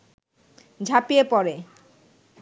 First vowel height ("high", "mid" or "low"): low